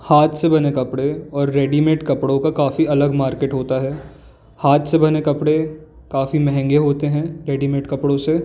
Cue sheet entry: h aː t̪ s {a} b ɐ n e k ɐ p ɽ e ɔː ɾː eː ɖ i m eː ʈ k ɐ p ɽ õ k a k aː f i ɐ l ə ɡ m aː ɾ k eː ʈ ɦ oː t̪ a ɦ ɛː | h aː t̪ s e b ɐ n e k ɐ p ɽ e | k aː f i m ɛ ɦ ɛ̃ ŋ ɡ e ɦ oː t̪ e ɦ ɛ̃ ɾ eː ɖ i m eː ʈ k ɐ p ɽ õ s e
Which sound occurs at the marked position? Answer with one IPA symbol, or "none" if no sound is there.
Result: e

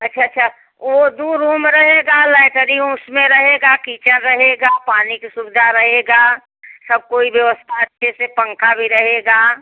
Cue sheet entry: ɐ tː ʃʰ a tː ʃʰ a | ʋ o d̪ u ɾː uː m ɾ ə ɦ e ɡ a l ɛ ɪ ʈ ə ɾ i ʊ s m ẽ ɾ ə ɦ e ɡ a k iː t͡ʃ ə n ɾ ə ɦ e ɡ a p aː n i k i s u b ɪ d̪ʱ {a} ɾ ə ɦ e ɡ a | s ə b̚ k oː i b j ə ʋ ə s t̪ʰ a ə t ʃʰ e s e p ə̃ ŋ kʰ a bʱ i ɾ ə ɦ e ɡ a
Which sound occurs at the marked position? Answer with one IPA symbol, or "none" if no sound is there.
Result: a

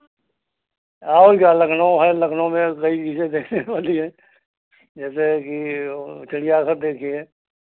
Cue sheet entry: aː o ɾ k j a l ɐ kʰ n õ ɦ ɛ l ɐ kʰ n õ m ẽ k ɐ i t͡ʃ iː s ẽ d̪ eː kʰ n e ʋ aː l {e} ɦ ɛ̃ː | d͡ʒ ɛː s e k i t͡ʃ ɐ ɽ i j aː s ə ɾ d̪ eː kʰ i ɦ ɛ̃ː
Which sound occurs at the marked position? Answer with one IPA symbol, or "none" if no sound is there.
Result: i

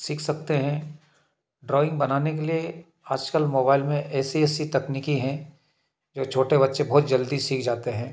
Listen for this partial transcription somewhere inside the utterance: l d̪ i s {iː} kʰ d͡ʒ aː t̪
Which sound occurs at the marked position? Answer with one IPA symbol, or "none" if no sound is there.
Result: iː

